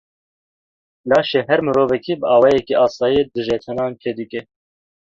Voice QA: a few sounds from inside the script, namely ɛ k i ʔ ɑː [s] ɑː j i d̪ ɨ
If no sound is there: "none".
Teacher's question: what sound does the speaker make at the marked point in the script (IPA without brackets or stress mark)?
s